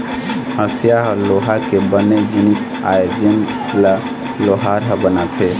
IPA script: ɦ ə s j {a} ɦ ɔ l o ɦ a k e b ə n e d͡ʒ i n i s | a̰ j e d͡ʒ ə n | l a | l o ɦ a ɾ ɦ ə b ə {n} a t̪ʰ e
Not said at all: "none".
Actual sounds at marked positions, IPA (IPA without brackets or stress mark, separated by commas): a, n